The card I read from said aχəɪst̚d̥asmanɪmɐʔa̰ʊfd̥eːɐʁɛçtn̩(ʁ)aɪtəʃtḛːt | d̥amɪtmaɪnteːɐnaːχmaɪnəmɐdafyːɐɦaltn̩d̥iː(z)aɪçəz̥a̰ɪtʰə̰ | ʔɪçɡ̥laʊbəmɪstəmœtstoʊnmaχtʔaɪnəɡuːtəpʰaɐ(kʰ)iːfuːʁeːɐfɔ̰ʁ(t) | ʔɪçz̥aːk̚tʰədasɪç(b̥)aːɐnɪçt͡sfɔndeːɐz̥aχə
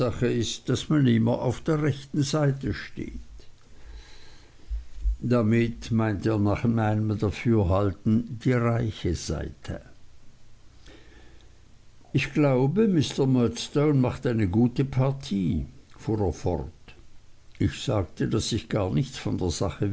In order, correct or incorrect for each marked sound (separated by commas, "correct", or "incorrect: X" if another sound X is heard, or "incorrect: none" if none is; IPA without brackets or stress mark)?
incorrect: z, incorrect: ʁ, incorrect: tʰ, correct, incorrect: ɡ̥